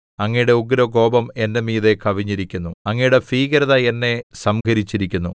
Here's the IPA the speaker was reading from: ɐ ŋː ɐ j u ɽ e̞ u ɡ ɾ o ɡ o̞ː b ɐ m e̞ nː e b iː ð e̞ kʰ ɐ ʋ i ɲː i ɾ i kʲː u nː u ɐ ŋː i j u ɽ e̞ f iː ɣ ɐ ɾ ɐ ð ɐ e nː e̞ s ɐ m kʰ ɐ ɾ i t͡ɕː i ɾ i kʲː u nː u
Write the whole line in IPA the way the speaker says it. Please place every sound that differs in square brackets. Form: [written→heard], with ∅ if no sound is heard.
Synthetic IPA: ɐ ŋː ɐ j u ɽ e̞ u ɡ ɾ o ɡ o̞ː b ɐ m e̞ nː e [b→m] iː ð e̞ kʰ ɐ ʋ i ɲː i ɾ i kʲː u nː u ɐ ŋː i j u ɽ e̞ f iː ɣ ɐ ɾ ɐ ð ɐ e nː e̞ s ɐ m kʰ ɐ ɾ i t͡ɕː i ɾ i kʲː u nː u